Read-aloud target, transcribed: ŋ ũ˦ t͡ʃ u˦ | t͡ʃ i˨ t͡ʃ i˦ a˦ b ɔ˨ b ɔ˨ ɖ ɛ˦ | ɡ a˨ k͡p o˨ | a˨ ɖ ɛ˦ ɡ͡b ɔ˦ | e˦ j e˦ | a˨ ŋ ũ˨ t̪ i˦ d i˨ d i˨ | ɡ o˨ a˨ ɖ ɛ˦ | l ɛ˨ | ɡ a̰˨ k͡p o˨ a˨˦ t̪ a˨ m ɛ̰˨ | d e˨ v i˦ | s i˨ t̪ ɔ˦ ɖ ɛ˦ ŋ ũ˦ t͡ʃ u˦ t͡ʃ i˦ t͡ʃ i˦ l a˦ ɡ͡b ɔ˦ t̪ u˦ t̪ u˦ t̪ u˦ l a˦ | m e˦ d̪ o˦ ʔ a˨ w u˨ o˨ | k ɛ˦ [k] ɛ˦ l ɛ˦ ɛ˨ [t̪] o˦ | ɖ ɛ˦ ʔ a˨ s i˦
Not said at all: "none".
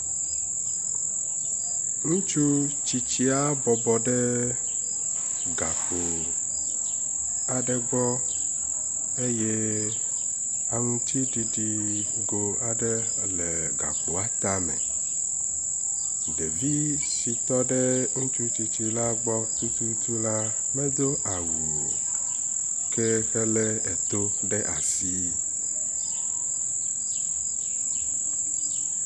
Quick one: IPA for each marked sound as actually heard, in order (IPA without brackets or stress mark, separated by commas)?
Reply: x, t̪